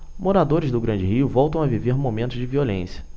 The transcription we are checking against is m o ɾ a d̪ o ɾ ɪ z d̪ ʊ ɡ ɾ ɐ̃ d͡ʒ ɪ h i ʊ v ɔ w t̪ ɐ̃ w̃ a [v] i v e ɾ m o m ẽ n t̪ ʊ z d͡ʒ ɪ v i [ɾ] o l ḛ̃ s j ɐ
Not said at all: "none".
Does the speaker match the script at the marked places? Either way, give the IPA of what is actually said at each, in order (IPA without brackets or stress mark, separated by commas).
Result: v, none